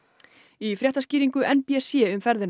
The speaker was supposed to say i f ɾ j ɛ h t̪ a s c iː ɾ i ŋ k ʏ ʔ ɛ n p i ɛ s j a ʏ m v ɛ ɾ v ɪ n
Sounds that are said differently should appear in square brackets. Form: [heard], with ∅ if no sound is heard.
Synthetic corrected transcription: i f ɾ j ɛ h t̪ a s c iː ɾ i ŋ k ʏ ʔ ɛ n p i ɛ s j [ɛ] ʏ m [f] ɛ ɾ [ð] ɪ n